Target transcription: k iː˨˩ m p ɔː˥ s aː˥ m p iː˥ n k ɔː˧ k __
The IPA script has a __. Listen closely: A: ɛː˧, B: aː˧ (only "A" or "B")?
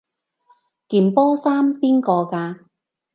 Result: B